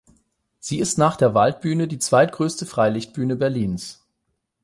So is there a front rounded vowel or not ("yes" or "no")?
yes